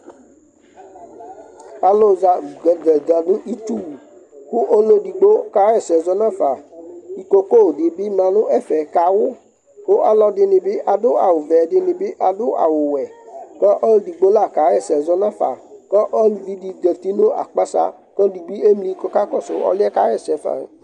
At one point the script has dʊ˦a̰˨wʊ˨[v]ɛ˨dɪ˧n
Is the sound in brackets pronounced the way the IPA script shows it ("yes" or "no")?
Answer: yes